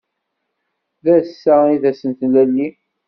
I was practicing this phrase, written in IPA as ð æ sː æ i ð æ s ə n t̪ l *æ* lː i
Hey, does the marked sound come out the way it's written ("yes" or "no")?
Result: yes